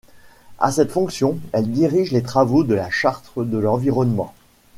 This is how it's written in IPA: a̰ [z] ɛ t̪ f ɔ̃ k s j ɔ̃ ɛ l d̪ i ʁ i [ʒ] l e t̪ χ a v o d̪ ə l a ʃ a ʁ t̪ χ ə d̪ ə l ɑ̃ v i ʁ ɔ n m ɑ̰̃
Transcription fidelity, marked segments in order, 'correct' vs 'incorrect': incorrect: s, correct

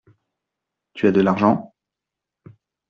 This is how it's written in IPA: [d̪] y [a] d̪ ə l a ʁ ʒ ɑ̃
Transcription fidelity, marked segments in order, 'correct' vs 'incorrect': incorrect: t̪, correct

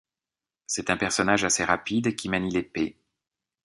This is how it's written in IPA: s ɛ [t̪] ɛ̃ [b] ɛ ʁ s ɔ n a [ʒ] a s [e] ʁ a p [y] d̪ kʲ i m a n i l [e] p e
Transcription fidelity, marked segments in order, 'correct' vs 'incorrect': correct, incorrect: p, correct, correct, incorrect: i, correct

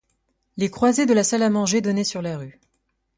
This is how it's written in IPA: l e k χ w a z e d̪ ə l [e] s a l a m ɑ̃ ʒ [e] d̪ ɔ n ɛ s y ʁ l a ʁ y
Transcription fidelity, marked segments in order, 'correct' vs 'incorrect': incorrect: a, correct

